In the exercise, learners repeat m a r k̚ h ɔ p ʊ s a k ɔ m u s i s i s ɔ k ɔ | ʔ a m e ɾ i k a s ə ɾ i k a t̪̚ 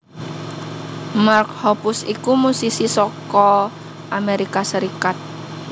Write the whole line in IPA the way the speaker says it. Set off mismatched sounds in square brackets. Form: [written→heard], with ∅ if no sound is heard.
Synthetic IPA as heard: m a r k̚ h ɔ p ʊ s [a→i] k [ɔ→u] m u s i s i s ɔ k ɔ | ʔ a m e ɾ i k a s ə ɾ i k a t̪̚

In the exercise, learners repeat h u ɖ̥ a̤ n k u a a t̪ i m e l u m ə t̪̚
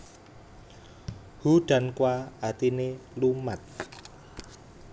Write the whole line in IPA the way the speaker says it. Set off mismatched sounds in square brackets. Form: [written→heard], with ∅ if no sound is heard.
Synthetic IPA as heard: h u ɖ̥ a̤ n k [u→w] a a t̪ i [m→n] e l u m [ə→a] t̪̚

